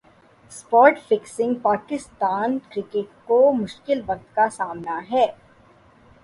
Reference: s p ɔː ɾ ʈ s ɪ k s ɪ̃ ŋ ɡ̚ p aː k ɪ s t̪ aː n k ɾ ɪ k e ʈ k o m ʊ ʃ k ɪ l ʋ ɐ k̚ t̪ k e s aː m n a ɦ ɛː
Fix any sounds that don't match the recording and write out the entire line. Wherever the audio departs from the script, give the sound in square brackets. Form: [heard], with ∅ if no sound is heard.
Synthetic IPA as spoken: s p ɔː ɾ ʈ [f] ɪ k s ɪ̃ ŋ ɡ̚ p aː k ɪ s t̪ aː n k ɾ ɪ k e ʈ k o m ʊ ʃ k ɪ l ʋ ɐ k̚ t̪ k [a] s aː m n a ɦ ɛː